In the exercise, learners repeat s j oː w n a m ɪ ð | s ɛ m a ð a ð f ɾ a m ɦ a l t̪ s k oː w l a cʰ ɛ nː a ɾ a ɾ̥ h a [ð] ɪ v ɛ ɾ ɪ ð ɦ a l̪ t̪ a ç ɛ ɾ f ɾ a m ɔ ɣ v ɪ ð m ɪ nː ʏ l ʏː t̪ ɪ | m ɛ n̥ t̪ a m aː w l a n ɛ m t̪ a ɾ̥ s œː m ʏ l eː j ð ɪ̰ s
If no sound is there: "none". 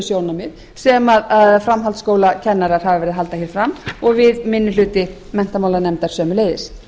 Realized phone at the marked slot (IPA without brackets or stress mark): v